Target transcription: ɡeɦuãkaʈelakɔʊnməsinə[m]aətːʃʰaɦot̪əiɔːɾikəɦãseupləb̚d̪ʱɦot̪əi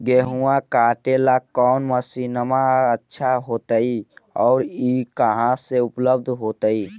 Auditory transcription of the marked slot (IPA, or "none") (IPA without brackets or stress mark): m